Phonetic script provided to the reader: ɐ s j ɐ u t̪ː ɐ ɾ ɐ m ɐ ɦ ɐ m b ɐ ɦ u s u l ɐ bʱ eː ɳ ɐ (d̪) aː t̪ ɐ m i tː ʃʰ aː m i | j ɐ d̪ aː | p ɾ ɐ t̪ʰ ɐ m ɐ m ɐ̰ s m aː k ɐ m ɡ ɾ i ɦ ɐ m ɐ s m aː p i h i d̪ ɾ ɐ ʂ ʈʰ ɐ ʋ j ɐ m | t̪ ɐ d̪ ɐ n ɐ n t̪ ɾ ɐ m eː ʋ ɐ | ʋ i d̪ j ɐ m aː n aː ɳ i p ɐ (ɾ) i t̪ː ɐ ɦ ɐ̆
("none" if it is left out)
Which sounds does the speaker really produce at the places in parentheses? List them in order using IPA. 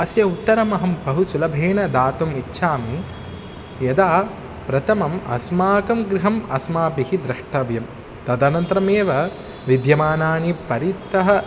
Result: d̪, ɾ

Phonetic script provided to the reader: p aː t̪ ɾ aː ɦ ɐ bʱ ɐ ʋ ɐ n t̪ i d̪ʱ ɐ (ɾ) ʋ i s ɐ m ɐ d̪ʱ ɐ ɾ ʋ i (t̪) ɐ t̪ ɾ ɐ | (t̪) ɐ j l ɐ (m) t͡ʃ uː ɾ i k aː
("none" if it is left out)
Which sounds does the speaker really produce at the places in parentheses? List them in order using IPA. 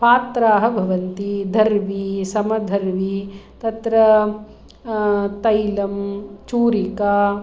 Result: ɾ, t̪, t̪, m

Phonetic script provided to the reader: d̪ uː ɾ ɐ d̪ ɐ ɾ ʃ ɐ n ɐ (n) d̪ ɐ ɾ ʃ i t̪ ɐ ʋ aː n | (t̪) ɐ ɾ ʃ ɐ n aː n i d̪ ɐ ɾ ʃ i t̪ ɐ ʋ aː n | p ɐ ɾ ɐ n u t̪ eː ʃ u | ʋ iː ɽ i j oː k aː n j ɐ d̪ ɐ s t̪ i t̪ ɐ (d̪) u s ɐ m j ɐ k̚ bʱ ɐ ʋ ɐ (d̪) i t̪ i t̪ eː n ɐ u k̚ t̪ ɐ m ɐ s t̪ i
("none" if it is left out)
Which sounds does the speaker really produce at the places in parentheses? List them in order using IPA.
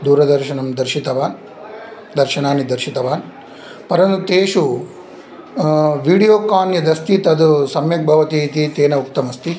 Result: m, d̪, d̪, t̪

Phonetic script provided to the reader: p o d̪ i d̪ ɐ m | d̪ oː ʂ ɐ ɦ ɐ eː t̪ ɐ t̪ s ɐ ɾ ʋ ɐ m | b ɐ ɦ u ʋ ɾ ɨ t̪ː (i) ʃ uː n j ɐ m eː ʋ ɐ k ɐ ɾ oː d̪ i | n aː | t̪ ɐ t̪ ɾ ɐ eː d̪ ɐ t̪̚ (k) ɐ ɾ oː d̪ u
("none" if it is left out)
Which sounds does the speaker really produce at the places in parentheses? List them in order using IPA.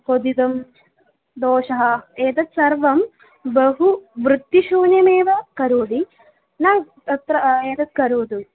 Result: i, k

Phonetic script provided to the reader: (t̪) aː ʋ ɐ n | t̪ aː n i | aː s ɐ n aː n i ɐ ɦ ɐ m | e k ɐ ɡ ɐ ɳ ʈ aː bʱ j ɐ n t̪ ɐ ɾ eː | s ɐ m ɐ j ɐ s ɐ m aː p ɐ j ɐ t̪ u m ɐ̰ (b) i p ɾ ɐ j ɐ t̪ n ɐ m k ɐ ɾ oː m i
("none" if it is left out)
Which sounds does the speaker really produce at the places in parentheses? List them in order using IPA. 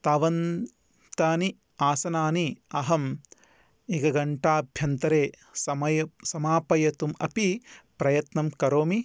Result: t̪, p

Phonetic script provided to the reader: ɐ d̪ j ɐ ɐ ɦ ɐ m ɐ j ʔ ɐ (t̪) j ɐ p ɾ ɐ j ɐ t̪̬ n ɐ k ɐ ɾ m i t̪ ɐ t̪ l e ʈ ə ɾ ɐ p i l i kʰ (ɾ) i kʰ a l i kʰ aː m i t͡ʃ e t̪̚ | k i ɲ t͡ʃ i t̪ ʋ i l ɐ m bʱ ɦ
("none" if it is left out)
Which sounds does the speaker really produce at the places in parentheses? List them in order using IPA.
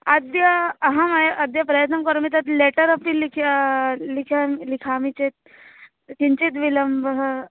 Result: d̪, l

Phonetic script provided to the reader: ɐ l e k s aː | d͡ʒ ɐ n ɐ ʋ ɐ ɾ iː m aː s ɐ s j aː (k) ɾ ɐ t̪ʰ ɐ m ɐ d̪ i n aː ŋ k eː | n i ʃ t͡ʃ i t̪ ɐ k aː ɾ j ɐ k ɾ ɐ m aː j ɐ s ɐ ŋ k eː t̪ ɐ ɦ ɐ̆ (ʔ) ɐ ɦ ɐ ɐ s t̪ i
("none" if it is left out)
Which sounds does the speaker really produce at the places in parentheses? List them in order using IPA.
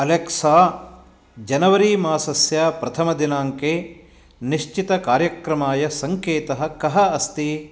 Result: p, k

